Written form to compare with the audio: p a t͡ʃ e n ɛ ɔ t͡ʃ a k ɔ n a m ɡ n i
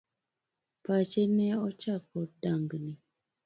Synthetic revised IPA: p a t͡ʃ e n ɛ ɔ t͡ʃ a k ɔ d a ŋ ɡ n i